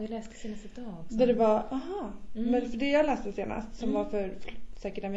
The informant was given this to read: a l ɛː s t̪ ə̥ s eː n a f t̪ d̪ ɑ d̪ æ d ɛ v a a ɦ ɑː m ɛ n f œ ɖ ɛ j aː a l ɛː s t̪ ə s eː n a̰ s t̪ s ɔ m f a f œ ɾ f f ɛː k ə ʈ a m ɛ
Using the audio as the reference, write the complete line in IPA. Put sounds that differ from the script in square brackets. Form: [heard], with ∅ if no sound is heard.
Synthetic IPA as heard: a l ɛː s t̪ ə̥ s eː n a [s] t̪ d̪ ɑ d̪ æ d ɛ v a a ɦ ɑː m ɛ n f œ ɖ ɛ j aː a l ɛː s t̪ ə s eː n a̰ s t̪ s ɔ m [v] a f œ ɾ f [s] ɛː k ə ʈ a m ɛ